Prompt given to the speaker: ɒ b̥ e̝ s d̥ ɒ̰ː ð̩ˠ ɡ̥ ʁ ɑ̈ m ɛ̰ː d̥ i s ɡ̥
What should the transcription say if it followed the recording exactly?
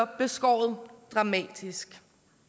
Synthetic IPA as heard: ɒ b̥ e̝ s ɡ̥ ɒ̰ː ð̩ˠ d̥ ʁ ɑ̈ m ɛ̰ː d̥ i s ɡ̥